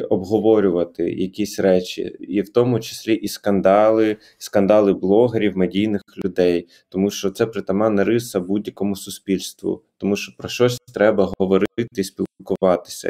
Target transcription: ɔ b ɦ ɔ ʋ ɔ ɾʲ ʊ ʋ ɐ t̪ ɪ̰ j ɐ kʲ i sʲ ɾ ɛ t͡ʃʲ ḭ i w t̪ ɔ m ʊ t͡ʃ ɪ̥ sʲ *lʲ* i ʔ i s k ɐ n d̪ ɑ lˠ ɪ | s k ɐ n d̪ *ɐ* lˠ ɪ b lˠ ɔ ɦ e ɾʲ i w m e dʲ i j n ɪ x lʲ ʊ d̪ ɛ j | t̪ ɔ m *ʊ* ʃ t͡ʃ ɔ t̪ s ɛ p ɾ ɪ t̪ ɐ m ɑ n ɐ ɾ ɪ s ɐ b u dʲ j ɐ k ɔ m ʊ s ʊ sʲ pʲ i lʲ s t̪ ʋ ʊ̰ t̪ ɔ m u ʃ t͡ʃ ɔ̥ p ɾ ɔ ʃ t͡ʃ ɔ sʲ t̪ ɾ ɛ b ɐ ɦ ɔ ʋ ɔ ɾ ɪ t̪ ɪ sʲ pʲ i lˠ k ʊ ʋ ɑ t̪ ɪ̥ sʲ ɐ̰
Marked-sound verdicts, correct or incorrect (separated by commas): correct, incorrect, incorrect